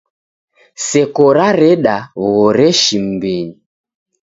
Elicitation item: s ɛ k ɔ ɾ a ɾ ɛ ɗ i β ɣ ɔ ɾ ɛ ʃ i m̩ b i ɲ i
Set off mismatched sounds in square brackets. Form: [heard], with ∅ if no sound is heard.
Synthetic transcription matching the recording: s ɛ k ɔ ɾ a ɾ ɛ ɗ [a] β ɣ ɔ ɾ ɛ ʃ i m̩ b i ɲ i

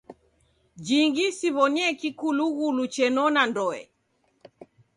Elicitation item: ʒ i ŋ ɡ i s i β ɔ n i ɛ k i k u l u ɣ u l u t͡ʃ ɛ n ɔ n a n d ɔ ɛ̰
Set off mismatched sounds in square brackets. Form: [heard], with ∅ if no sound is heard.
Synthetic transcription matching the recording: [d͡ʒ] i ŋ ɡ i s i β ɔ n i ɛ k i k u l u ɣ u l u t͡ʃ ɛ n ɔ n a n d ɔ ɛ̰

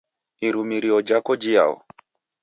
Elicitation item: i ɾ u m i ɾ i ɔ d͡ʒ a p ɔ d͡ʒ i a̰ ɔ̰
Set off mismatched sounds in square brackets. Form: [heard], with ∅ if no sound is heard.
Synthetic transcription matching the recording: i ɾ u m i ɾ i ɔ d͡ʒ a [k] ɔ d͡ʒ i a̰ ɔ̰

